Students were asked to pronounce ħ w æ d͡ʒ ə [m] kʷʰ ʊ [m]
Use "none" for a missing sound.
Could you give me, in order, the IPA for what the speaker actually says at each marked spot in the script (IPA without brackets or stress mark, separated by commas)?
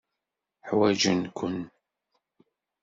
n, n